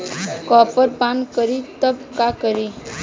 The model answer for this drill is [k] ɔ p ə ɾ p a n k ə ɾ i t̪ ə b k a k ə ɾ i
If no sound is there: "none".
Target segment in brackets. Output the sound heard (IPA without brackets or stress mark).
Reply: k